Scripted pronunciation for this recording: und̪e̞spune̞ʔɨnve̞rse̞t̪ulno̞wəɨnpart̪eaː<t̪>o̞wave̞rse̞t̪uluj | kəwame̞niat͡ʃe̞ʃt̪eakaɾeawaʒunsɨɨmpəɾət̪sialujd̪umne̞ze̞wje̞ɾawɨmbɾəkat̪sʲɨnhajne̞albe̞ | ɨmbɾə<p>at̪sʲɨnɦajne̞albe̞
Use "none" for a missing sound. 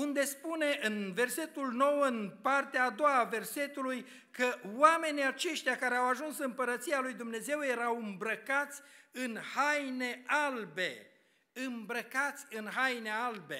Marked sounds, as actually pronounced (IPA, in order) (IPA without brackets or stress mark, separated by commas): d̪, k